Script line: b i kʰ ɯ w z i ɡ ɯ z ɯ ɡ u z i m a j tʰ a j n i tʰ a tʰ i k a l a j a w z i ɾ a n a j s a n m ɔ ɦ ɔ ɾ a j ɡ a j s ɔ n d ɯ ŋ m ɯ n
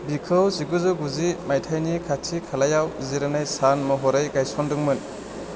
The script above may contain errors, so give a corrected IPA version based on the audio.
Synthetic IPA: b i kʰ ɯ w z i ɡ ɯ z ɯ ɡ u z i m a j tʰ a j n i kʰ a tʰ i kʰ a l a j a w z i ɾ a n a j s a n m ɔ ɦ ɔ ɾ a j ɡ a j s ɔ n d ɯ ŋ m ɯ n